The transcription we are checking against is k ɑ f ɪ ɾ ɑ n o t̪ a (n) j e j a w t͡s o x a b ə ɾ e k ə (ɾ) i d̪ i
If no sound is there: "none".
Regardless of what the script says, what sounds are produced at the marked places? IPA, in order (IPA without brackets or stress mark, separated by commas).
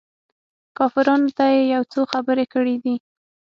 none, ɽ